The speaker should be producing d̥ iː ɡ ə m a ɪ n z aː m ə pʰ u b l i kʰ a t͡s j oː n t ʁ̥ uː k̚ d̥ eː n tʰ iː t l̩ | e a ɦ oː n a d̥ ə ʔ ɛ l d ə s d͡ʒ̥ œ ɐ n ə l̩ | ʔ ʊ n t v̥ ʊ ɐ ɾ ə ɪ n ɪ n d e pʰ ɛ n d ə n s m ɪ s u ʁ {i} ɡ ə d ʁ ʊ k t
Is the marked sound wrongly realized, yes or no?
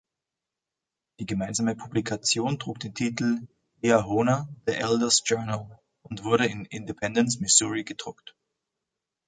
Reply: no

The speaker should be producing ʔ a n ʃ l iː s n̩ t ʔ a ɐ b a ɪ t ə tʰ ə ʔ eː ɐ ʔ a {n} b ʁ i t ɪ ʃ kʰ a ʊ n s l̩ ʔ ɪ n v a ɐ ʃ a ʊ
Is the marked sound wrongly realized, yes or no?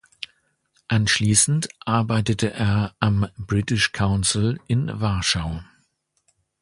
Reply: yes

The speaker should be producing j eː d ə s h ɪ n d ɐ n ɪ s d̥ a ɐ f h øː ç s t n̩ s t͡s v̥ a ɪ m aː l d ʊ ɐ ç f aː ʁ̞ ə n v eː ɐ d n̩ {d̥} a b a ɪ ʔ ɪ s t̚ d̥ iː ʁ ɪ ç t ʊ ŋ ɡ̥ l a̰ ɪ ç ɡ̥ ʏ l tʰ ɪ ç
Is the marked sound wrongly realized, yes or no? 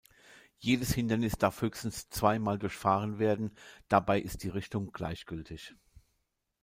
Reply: no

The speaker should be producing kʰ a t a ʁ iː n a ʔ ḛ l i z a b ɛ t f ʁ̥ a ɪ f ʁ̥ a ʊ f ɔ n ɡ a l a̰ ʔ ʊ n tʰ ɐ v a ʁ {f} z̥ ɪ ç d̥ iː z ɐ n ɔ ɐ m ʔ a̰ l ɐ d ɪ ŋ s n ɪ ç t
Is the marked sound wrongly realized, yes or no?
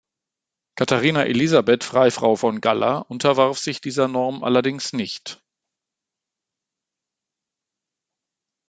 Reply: no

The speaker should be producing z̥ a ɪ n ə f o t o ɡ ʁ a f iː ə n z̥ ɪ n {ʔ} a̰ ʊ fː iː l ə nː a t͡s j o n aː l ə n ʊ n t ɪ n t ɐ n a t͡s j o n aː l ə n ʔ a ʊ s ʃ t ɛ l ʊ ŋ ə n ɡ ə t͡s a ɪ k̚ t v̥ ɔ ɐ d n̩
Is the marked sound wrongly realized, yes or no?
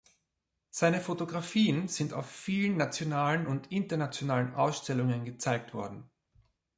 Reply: yes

